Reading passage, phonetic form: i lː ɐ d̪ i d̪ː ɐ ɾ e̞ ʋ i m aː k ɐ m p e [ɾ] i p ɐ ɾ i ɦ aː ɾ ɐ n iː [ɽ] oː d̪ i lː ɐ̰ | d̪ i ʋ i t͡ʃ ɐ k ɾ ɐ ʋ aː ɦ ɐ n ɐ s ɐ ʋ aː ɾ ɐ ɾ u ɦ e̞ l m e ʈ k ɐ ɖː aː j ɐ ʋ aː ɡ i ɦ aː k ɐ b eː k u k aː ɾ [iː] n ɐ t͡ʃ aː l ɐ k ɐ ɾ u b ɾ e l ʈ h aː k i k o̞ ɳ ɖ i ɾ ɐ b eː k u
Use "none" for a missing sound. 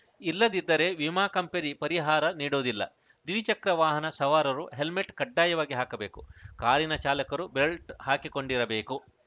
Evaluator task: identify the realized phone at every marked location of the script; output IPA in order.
ɾ, ɽ, i

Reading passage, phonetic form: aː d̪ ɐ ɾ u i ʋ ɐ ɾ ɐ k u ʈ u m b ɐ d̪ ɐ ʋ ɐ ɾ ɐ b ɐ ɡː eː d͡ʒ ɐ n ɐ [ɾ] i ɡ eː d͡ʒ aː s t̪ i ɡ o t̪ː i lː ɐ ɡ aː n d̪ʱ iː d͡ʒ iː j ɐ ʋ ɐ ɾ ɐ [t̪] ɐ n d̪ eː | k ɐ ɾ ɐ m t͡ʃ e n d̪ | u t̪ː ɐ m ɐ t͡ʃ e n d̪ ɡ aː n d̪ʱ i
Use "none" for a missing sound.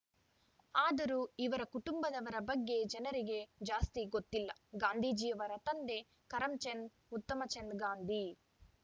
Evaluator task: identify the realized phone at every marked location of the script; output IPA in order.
ɾ, t̪

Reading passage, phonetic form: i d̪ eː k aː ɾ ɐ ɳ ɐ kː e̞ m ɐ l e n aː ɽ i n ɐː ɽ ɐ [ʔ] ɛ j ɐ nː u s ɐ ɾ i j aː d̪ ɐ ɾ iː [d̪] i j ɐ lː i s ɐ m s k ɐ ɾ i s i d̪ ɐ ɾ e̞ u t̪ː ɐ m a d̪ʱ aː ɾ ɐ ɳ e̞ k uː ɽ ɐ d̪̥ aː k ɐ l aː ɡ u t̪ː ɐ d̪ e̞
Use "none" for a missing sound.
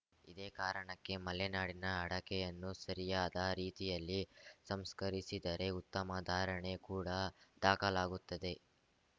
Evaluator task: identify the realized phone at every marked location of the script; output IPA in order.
k, t̪

